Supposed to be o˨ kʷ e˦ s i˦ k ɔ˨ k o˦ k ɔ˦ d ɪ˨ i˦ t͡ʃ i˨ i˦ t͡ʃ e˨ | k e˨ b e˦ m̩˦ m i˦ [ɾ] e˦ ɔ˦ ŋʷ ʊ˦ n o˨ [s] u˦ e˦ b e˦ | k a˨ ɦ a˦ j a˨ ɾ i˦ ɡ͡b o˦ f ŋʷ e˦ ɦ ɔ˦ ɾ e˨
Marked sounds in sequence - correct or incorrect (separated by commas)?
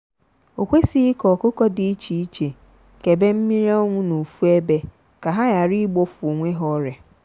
correct, incorrect